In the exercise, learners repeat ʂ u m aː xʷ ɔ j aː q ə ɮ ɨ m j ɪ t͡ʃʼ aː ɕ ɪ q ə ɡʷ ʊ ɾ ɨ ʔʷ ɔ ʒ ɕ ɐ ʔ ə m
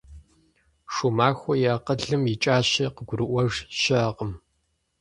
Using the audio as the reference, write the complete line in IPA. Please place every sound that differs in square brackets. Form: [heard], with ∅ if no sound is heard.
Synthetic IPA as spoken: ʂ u m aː xʷ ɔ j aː q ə ɮ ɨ m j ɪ t͡ʃʼ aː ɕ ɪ q ə ɡʷ ʊ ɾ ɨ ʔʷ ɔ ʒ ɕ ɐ [q] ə m